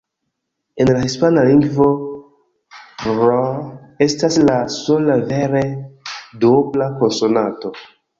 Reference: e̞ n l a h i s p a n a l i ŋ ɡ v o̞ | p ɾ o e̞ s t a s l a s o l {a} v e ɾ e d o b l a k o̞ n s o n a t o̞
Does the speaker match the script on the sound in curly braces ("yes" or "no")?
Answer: yes